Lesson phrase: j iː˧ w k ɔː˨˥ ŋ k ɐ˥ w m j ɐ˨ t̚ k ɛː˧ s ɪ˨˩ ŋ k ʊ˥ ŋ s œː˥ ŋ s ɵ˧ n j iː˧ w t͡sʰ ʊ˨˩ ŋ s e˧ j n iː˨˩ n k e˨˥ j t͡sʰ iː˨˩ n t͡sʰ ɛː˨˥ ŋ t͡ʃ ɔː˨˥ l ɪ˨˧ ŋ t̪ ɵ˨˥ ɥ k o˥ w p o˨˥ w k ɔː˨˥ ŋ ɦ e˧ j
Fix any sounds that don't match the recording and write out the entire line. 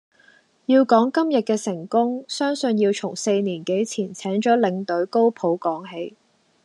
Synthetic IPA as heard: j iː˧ w k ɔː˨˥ ŋ k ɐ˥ m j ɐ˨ t̚ k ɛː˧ s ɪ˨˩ ŋ k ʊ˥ ŋ s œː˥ ŋ s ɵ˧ n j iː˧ w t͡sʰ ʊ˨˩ ŋ s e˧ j n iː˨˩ n k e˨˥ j t͡sʰ iː˨˩ n t͡sʰ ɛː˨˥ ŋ t͡ʃ ɔː˨˥ l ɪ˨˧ ŋ t̪ ɵ˨˥ ɥ k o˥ w pʰ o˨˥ w k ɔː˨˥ ŋ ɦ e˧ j